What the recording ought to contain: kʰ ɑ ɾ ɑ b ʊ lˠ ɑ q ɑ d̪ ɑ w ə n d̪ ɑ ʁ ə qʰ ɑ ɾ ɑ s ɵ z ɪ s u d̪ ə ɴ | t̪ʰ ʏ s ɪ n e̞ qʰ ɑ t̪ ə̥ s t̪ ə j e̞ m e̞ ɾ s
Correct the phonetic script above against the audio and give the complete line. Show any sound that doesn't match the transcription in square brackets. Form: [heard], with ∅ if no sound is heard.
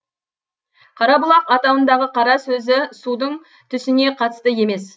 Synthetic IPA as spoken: [qʰ] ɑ ɾ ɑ b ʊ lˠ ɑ q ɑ [t̪] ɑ w ə n d̪ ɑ ʁ ə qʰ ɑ ɾ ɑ s ɵ z ɪ s u d̪ ə ɴ | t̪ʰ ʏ s ɪ n e̞ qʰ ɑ t̪ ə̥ s t̪ ə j e̞ m e̞ [∅] s